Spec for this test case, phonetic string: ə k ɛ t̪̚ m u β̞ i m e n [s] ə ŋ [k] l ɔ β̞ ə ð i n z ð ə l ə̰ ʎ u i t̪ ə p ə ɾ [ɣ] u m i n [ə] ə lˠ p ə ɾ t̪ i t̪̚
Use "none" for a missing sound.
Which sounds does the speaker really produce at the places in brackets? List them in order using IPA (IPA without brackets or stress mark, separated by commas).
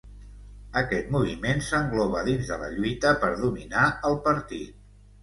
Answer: s, ɡ, ð, a